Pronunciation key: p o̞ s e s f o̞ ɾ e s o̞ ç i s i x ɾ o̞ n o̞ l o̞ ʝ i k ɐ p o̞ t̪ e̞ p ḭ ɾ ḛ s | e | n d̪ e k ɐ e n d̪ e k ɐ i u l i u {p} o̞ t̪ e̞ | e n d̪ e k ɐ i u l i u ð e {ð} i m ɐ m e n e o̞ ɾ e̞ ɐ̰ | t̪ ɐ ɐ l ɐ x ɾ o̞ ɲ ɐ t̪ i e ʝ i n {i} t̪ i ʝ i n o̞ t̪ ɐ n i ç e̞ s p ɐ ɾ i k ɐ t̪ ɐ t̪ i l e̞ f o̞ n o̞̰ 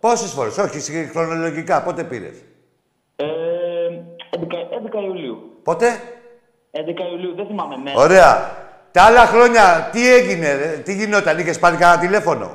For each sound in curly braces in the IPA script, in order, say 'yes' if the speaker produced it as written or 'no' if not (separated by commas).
yes, no, no